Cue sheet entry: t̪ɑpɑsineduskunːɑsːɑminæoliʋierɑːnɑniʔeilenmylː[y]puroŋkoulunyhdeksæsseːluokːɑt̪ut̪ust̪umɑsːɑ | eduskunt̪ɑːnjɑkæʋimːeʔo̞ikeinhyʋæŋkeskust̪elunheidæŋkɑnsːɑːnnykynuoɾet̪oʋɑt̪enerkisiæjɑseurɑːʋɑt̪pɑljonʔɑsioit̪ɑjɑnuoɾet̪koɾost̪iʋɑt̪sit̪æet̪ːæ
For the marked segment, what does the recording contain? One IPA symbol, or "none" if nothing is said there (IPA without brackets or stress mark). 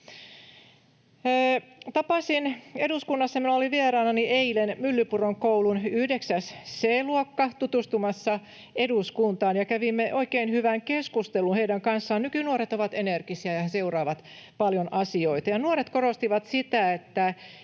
y